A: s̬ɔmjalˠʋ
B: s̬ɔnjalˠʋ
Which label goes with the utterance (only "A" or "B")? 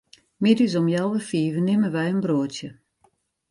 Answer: A